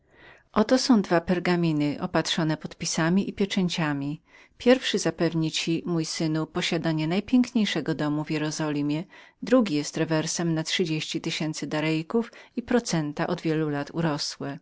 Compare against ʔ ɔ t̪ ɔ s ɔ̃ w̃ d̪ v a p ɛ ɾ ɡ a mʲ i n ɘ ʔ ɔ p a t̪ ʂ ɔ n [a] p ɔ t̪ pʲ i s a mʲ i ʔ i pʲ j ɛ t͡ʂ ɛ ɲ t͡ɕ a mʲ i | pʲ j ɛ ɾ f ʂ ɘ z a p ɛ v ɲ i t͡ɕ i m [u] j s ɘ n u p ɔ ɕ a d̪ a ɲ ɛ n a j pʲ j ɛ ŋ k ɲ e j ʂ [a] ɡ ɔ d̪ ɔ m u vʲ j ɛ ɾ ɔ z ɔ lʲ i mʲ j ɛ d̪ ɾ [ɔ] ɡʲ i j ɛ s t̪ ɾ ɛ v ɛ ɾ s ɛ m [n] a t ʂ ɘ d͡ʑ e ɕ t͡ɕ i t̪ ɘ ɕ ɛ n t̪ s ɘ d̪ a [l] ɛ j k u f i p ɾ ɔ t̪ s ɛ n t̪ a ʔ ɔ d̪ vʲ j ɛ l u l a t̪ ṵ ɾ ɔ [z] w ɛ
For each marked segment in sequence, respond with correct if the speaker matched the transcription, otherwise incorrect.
incorrect: ɛ, correct, incorrect: ɛ, incorrect: u, correct, incorrect: ɾ, incorrect: s

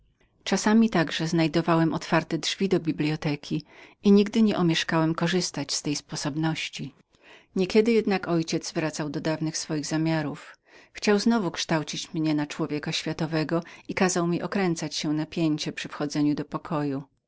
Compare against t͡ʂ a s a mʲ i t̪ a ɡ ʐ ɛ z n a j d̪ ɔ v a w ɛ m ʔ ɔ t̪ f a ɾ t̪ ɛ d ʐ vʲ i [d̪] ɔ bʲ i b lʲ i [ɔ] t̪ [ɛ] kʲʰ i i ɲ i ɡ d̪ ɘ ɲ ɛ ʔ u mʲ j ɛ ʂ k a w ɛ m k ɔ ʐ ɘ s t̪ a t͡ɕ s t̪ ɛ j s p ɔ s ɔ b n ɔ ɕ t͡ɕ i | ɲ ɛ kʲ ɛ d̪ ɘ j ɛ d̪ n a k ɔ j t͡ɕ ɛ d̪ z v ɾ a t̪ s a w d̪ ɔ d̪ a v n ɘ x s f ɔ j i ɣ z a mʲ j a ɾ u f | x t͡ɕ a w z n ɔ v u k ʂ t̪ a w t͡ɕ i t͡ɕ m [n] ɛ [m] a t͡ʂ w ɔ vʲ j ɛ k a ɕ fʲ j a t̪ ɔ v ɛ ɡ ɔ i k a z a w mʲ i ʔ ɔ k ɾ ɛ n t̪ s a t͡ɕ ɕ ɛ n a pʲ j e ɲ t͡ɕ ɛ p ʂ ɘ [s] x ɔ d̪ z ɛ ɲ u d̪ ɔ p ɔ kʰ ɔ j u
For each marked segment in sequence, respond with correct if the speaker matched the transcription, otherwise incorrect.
correct, correct, correct, incorrect: ɲ, incorrect: n, incorrect: f

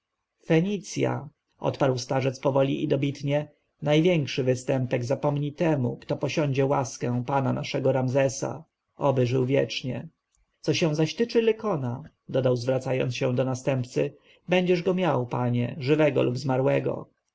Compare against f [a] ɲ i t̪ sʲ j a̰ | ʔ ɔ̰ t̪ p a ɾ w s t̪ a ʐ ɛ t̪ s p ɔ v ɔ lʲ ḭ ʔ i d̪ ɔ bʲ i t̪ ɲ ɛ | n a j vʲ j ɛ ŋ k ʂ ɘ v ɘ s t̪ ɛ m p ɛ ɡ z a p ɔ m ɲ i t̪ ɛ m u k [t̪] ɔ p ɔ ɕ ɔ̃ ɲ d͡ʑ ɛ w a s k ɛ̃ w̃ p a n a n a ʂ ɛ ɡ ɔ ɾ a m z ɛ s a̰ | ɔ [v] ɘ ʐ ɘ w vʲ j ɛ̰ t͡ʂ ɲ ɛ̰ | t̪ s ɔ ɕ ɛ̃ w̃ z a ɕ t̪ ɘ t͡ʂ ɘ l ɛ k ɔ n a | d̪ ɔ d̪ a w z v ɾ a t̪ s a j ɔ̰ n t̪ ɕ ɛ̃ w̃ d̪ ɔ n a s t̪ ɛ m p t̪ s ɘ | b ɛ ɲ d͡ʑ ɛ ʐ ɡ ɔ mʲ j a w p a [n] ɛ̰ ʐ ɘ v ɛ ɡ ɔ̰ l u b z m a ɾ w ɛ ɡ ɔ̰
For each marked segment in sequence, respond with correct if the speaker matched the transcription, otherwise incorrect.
incorrect: ɛ, correct, incorrect: b, incorrect: ɲ

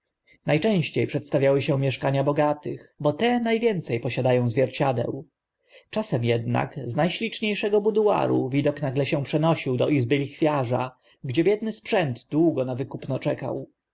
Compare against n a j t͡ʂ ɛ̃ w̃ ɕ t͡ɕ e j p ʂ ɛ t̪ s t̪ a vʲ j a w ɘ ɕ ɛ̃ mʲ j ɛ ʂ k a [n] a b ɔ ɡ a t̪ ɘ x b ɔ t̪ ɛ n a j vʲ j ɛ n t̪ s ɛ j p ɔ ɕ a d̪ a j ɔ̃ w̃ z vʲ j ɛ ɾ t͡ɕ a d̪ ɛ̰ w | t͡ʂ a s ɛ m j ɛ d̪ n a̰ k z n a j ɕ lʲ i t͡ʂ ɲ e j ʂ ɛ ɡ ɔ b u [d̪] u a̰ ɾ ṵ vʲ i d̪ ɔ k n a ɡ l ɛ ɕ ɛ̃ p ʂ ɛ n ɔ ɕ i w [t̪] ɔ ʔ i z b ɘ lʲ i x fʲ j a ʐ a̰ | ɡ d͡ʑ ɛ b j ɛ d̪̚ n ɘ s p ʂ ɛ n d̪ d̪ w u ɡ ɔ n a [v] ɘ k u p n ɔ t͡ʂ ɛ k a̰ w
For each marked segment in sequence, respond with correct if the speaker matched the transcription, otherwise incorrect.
incorrect: ɲ, correct, incorrect: d̪, correct

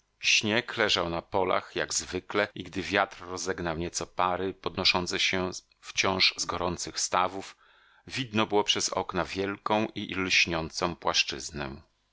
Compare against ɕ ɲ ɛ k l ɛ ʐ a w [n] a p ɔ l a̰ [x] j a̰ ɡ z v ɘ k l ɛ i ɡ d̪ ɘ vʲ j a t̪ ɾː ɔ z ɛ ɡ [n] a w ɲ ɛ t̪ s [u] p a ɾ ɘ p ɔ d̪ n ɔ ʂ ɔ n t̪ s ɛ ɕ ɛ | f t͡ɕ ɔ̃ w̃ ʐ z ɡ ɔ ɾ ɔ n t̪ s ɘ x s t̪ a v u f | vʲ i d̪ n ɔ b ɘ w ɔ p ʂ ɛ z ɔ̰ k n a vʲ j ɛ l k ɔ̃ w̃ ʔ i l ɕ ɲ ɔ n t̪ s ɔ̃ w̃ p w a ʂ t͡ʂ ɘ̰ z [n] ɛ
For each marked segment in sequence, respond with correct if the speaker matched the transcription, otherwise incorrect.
correct, correct, correct, incorrect: ɔ, correct

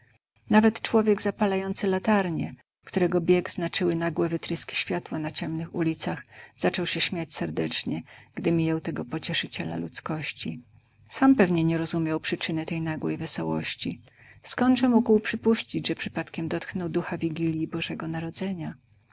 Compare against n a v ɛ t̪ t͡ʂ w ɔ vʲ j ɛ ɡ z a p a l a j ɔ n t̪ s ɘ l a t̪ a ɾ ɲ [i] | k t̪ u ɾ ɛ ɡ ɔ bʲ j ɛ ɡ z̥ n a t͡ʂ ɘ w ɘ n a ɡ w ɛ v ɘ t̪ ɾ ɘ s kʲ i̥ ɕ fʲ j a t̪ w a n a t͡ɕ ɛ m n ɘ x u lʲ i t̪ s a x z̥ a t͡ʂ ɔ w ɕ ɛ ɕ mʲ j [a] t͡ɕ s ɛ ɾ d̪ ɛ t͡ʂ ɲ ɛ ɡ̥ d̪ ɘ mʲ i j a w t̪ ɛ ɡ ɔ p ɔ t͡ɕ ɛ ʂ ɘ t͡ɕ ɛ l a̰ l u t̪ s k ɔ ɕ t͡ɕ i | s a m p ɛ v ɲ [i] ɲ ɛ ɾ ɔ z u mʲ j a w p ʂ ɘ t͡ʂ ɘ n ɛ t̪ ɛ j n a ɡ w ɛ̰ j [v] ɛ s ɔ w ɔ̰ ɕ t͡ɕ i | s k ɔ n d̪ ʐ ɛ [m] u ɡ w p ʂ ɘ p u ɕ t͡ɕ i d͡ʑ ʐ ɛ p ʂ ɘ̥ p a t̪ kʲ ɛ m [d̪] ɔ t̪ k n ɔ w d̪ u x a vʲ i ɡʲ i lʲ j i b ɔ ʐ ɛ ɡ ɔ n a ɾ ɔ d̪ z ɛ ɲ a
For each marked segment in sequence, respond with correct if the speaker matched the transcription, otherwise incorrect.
incorrect: ɛ, correct, incorrect: ɛ, correct, correct, correct

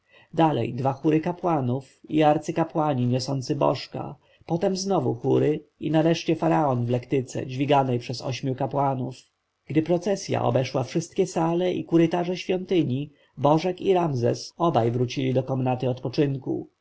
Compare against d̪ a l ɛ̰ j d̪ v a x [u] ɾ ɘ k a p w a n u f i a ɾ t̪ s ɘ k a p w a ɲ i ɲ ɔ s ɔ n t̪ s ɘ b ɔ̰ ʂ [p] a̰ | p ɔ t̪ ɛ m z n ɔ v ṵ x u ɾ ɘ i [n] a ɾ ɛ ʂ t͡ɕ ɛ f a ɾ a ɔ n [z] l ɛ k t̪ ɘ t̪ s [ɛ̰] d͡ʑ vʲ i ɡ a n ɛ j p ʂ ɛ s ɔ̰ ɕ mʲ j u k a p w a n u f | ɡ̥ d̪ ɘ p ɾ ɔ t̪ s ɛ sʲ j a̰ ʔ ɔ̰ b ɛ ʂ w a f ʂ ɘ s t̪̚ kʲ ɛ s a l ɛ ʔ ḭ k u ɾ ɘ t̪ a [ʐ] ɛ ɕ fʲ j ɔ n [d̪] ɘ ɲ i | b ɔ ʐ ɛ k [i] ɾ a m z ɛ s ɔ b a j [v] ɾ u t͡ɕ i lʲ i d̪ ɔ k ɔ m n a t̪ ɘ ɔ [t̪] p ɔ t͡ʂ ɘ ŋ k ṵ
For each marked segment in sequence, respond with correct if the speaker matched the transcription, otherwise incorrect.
correct, incorrect: k, correct, incorrect: v, correct, correct, incorrect: t̪, correct, correct, correct

